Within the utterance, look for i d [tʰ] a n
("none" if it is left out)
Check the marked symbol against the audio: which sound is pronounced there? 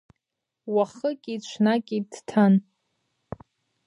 tʰ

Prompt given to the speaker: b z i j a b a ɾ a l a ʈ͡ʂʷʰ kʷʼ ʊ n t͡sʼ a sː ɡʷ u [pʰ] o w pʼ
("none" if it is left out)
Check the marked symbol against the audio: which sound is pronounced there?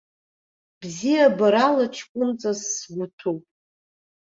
tʰ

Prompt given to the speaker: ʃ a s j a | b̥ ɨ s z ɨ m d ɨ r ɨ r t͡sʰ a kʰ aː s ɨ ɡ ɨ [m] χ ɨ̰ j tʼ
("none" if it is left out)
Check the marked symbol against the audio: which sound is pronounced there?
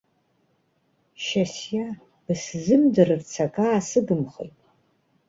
m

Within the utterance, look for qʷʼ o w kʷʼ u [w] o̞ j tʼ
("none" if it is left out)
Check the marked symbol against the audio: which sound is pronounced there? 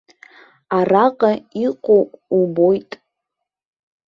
b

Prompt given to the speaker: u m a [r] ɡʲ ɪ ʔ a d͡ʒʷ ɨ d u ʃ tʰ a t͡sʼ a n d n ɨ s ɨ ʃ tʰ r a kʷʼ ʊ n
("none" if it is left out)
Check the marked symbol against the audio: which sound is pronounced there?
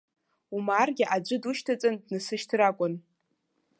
r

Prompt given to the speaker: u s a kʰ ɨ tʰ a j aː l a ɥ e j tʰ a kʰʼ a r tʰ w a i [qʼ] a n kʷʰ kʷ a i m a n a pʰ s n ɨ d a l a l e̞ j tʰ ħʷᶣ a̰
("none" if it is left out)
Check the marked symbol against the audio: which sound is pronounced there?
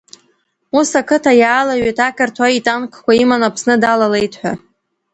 tʼ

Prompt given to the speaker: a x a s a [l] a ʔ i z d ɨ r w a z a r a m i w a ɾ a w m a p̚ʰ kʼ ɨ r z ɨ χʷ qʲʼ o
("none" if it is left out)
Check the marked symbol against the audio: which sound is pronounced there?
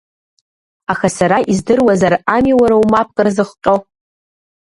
ɾ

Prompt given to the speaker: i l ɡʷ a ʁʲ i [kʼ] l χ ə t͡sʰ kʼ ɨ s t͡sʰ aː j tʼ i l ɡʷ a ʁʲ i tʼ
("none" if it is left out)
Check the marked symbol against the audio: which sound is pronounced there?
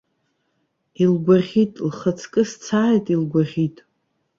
tʼ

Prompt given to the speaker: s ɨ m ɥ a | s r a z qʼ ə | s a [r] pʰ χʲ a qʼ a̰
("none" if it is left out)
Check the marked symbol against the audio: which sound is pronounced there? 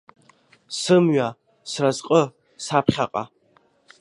none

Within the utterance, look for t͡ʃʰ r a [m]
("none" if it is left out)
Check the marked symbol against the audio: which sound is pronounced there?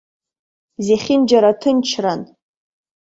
n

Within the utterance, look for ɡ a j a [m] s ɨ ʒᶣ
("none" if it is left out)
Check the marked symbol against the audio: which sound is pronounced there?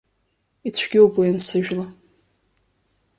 n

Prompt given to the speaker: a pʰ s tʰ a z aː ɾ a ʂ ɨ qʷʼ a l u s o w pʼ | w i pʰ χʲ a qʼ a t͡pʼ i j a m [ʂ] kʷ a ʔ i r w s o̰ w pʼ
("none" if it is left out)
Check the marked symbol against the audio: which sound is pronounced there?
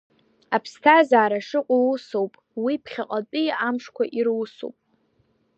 ʂ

